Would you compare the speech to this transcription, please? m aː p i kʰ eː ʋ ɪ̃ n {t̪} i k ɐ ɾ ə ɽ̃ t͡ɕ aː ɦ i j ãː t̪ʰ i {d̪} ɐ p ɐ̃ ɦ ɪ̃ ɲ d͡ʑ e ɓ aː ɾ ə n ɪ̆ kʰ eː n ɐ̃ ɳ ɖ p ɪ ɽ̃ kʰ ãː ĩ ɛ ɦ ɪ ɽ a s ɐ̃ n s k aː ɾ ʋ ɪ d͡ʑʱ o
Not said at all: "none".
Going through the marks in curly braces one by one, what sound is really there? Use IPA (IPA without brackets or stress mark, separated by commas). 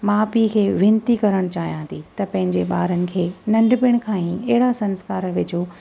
t̪, t̪